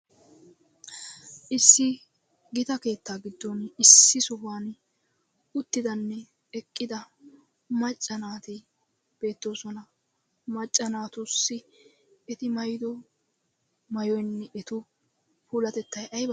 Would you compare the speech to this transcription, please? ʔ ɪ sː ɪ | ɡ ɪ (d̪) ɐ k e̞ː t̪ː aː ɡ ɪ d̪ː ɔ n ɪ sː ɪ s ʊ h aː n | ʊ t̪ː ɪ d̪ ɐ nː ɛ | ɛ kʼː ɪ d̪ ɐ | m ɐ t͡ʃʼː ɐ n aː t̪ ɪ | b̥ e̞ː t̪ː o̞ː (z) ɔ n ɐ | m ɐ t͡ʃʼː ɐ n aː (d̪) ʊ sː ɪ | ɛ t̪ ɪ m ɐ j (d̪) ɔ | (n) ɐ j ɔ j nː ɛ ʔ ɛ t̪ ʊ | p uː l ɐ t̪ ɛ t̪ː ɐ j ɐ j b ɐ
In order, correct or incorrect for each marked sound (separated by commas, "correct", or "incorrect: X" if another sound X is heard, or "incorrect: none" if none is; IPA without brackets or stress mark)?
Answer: incorrect: t̪, incorrect: s, incorrect: t̪, correct, incorrect: m